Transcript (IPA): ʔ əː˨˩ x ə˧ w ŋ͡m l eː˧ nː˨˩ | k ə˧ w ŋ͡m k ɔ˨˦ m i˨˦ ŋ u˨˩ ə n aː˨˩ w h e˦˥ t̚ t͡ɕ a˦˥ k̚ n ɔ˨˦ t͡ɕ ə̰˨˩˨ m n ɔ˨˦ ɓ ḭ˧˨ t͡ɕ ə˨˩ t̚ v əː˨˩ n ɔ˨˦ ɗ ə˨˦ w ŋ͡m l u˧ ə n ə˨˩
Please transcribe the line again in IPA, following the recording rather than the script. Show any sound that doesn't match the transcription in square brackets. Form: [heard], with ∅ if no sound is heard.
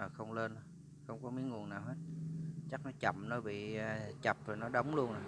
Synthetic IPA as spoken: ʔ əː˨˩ x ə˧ w ŋ͡m l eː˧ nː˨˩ | [x] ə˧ w ŋ͡m k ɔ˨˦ m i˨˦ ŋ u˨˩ ə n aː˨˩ w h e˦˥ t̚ t͡ɕ a˦˥ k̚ n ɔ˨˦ t͡ɕ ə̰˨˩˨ m n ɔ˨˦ ɓ ḭ˧˨ t͡ɕ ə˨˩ [p̚] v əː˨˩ n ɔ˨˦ ɗ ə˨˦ w ŋ͡m l u˧ ə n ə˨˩